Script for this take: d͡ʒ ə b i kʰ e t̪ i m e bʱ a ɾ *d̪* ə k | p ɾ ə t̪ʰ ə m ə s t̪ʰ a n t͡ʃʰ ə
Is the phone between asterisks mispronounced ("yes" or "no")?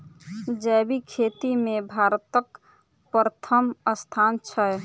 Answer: yes